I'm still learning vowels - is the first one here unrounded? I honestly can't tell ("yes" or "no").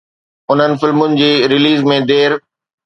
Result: no